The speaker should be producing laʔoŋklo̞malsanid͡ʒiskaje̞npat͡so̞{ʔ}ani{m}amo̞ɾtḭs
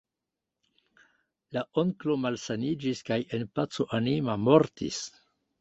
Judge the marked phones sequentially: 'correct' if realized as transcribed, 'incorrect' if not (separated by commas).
correct, correct